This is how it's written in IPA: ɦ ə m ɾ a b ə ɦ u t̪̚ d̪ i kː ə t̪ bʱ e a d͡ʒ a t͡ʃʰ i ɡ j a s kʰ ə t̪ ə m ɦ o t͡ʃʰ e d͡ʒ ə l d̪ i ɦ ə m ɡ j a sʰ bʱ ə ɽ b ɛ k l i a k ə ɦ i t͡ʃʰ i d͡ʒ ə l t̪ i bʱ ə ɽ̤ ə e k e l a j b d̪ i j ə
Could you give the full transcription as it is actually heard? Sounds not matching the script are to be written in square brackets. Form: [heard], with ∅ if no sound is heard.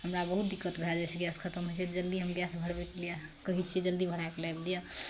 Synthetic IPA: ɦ ə m ɾ a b ə ɦ u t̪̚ d̪ i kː ə t̪ bʱ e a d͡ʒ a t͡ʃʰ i ɡ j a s kʰ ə t̪ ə m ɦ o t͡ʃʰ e d͡ʒ ə l d̪ i ɦ ə m ɡ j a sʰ bʱ ə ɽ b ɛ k l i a k ə ɦ i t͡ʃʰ i d͡ʒ ə l [d̪] i bʱ ə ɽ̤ [a] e k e l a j b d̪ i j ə